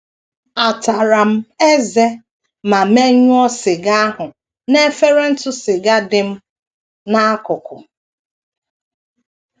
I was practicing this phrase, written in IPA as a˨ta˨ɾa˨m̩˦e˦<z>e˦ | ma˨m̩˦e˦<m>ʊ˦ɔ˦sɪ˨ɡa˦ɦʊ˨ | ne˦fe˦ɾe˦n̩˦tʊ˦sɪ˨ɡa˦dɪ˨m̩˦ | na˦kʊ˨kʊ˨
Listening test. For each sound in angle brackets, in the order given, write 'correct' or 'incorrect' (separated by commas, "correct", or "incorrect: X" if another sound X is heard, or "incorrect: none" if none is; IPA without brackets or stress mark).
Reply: correct, incorrect: ɲ